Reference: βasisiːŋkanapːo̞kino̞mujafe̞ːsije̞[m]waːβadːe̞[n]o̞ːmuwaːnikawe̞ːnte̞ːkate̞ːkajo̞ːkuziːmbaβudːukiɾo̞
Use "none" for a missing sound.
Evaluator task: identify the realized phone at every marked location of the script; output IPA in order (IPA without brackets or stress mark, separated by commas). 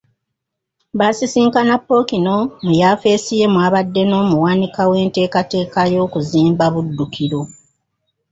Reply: m, n